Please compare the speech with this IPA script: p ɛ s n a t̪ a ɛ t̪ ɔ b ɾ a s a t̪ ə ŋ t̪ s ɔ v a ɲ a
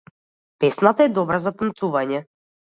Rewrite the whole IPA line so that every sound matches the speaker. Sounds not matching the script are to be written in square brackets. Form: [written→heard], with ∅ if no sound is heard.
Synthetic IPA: p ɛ s n a t̪ a ɛ [t̪→d̪] ɔ b ɾ a [s→z] a t̪ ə [ŋ→n] t̪ s [ɔ→u] v a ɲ [a→ɛ]